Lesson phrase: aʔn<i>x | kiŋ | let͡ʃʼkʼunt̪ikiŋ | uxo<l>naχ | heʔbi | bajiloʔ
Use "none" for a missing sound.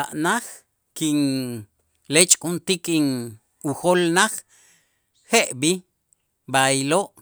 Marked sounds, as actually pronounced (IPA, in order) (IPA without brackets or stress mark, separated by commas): a, l